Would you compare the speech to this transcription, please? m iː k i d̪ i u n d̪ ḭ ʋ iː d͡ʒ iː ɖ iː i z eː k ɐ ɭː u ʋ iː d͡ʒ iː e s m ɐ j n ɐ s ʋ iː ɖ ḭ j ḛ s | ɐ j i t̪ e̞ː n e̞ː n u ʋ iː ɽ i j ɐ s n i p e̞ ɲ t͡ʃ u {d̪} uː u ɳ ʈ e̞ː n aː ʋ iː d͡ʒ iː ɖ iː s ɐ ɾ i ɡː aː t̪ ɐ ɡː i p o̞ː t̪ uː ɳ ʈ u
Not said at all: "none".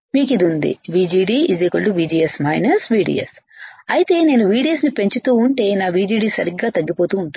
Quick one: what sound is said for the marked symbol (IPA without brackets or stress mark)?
t̪